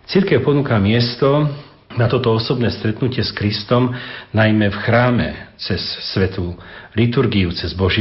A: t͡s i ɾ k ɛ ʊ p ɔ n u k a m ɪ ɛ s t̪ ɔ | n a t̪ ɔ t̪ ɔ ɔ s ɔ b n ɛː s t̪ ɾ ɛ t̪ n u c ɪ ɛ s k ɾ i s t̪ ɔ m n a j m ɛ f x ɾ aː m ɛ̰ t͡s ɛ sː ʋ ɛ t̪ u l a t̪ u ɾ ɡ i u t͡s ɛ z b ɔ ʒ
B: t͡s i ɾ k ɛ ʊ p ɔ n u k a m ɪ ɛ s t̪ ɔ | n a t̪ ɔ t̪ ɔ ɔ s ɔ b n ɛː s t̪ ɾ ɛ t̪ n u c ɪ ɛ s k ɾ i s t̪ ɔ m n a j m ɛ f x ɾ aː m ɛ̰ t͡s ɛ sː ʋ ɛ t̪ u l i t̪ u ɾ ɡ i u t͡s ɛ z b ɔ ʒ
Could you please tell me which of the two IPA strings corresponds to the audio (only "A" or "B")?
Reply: B